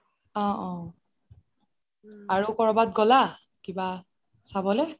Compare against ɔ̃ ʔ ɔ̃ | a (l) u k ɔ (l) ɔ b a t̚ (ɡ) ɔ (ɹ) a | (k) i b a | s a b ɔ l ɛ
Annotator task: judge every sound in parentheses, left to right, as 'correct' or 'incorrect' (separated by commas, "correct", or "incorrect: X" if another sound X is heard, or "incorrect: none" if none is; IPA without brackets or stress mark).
incorrect: ɹ, incorrect: ɹ, correct, incorrect: l, correct